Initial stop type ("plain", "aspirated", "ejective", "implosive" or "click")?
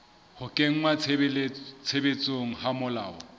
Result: ejective